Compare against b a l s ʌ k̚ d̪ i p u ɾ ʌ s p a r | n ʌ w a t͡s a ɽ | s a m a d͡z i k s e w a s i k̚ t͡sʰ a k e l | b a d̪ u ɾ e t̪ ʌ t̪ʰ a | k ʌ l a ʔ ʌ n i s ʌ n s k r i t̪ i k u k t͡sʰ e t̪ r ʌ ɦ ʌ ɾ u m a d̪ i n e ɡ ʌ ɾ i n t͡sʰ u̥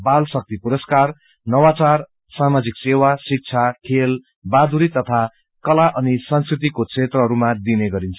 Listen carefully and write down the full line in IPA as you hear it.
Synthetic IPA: b a l s ʌ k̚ t̪ i p u ɾ ʌ s k a r | n ʌ w a t͡s a r | s a m a d͡z i k s e w a s i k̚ t͡sʰ a kʰ e l | b a d̪ u ɾ i t̪ ʌ t̪ʰ a | k ʌ l a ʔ ʌ n i s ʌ n s k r i t̪ i k o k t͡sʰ e t̪ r ʌ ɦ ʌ ɾ u m a d̪ i n e ɡ ʌ ɾ i n t͡sʰ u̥